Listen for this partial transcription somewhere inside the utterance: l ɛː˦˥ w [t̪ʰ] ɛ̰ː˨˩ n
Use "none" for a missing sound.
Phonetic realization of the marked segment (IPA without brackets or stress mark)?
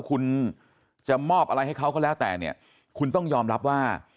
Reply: t̪